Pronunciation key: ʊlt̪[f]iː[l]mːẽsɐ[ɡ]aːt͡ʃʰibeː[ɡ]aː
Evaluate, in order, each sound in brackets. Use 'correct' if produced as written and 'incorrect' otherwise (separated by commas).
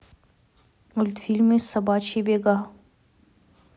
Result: correct, correct, incorrect, correct